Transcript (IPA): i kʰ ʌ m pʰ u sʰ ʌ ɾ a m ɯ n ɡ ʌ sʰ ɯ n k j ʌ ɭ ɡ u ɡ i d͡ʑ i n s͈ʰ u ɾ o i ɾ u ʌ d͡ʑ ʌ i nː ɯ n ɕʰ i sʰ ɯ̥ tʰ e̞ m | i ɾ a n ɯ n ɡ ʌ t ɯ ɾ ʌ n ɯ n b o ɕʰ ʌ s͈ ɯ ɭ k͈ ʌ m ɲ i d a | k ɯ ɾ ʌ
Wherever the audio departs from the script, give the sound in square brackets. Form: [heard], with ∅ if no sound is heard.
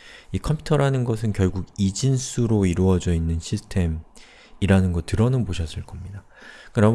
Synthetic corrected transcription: i kʰ ʌ m pʰ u [tʰ] ʌ ɾ a [n] ɯ n ɡ ʌ sʰ ɯ n k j ʌ ɭ ɡ u ɡ i d͡ʑ i n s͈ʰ u ɾ o i ɾ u ʌ d͡ʑ ʌ i nː ɯ n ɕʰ i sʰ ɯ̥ tʰ e̞ m | i ɾ a n ɯ n ɡ ʌ t ɯ ɾ ʌ n ɯ n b o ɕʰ ʌ s͈ ɯ ɭ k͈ ʌ m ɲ i d a | k ɯ ɾ ʌ